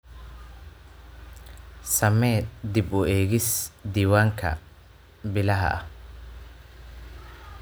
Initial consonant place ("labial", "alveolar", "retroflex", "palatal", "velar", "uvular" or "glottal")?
alveolar